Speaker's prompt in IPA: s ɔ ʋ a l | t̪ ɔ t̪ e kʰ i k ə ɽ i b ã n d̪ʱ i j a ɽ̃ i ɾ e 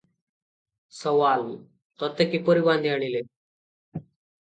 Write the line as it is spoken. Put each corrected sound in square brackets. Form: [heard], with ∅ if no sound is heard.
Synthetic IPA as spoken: s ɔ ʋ a l | t̪ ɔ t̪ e [k] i [p] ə [ɾ] i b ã n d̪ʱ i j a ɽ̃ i [l] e